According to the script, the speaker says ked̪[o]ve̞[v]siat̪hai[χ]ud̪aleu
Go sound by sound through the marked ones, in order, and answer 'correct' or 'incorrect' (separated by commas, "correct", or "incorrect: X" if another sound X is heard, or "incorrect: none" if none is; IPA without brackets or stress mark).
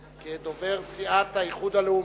correct, incorrect: ʁ, correct